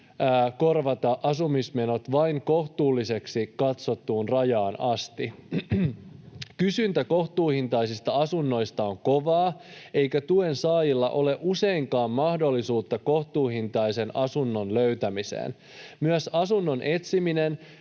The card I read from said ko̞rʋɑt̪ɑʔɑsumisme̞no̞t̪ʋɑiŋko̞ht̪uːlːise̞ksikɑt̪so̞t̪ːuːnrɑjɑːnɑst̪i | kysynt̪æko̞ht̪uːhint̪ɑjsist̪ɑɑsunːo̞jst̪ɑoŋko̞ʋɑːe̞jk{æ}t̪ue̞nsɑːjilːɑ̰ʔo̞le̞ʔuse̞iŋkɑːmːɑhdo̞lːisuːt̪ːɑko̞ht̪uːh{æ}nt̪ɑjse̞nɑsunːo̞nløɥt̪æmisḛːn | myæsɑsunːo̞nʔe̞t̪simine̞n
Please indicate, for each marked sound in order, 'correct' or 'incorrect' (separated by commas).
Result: correct, incorrect